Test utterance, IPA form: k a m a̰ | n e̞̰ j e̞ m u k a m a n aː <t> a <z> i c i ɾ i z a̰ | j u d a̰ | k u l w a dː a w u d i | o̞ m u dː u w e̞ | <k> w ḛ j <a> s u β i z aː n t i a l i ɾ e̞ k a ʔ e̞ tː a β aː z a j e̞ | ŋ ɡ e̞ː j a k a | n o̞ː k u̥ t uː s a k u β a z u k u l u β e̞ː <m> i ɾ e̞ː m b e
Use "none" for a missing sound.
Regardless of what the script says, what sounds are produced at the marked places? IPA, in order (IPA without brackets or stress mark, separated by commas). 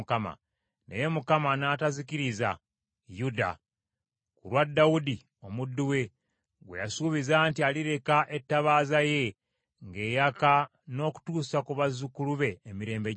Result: t, z, ɡ, a, m